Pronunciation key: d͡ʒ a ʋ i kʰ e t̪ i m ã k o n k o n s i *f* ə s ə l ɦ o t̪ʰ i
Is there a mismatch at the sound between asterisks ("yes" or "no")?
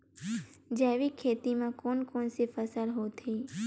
no